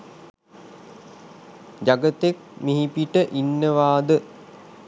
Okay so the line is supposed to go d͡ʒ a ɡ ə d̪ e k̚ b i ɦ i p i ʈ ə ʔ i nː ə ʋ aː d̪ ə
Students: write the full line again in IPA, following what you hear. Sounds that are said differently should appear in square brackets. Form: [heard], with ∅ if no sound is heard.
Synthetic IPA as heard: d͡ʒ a ɡ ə [t̪] e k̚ [m] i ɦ i p i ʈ ə ʔ i nː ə ʋ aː d̪ ə

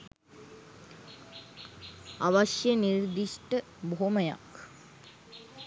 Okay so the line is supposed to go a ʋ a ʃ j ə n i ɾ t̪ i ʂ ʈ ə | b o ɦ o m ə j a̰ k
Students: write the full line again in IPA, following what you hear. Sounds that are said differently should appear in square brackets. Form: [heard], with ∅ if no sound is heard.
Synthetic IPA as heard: a ʋ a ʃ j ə n i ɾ [d̪] i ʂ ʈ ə | b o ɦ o m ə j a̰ k

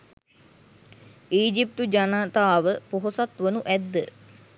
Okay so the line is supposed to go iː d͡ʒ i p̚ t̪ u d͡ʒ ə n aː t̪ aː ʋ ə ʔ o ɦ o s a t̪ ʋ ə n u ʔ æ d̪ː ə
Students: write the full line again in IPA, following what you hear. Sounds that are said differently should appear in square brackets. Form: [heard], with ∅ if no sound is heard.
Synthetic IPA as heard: iː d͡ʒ i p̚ t̪ u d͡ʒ [a] n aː t̪ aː ʋ ə [p] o ɦ o s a t̪ ʋ ə n u ʔ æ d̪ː ə

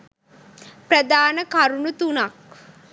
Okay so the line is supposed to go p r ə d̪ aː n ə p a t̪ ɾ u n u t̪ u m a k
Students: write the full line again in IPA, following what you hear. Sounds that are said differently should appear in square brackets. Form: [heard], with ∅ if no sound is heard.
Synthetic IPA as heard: p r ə d̪ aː n ə [k] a [∅] ɾ u n u t̪ u [n] a k

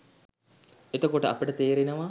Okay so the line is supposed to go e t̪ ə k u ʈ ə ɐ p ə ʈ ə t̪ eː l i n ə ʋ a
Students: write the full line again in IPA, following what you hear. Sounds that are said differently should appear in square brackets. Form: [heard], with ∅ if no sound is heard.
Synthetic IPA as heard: e t̪ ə k [o] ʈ ə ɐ p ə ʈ ə t̪ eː [ɾ] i n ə ʋ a

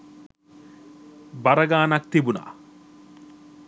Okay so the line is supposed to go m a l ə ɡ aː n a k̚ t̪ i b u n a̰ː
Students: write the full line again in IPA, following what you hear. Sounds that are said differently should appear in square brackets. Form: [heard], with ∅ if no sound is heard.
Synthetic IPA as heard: [b] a [ɾ] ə ɡ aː n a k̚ t̪ i b u n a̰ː

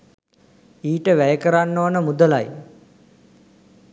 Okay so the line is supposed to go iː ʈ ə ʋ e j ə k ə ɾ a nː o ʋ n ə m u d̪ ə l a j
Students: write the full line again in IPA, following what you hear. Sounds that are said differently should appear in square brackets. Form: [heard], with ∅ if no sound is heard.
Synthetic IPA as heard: iː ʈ ə ʋ [æ] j ə k ə ɾ a nː o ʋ n ə m u d̪ ə l a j

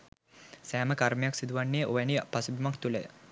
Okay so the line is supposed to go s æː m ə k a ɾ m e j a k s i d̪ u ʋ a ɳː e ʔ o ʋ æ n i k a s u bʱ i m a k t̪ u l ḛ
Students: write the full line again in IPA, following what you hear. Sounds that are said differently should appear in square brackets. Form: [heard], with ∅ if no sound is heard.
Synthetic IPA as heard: s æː m ə k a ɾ m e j a k s i d̪ u ʋ a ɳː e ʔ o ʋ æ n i [p] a s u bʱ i m a k t̪ u l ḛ

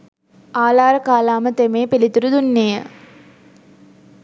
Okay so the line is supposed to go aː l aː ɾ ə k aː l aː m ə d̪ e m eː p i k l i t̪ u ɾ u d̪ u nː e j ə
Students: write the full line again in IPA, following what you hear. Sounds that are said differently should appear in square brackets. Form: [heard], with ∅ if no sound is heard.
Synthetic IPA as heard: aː l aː ɾ ə k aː l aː m ə [t̪] e m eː p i [∅] l i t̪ u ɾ u d̪ u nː e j ə

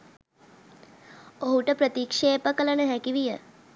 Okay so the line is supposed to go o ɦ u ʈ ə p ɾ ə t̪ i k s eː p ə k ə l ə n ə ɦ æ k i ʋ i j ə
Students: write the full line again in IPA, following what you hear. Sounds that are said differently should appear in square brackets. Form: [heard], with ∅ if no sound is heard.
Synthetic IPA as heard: o ɦ u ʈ ə p ɾ ə t̪ i k [ʂ] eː p ə k ə l ə n ə ɦ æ k i ʋ i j ə

